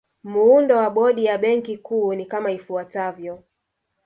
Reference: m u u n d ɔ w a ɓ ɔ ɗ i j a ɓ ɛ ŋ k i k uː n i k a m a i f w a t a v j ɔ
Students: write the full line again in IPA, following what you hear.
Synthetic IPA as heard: m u u n d ɔ w a ɓ ɔ ɗ i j a ɓ ɛ ŋ k i k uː n i k a m a i f u a t a v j ɔ